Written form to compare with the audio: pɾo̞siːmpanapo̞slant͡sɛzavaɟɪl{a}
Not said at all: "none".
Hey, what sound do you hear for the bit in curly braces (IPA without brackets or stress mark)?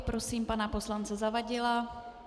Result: a